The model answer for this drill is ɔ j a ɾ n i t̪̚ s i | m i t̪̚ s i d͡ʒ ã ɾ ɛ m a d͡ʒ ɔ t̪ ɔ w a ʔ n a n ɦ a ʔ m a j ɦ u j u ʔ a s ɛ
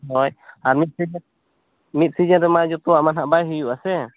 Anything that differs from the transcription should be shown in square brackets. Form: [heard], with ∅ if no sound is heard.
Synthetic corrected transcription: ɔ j a ɾ [m] i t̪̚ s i | m i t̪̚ s i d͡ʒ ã ɾ ɛ m a d͡ʒ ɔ t̪ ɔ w a ʔ [m] a n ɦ a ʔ [b] a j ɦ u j u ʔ a s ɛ

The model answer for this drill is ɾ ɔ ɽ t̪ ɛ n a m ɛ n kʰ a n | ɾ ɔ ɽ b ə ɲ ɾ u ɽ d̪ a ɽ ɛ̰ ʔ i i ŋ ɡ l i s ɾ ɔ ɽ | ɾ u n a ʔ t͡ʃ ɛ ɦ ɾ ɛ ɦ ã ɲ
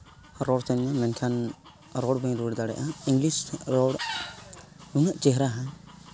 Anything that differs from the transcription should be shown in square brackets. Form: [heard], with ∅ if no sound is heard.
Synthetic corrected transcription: ɾ ɔ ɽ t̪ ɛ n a m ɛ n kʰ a n | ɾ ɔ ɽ b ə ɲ ɾ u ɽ d̪ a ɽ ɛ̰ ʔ [a] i ŋ ɡ l i s ɾ ɔ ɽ | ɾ u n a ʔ t͡ʃ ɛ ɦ ɾ [a] ɦ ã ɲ

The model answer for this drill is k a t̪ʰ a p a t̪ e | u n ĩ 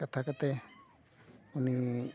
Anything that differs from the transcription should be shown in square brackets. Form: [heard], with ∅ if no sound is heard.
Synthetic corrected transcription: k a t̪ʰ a [k] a t̪ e | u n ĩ

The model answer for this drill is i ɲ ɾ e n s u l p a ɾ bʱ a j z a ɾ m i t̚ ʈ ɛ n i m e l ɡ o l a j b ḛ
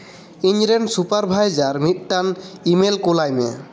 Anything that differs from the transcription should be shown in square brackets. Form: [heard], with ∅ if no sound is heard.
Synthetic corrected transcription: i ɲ ɾ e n s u [∅] p a ɾ bʱ a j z a ɾ m i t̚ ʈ [a] n i m e l [k] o l a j [m] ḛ

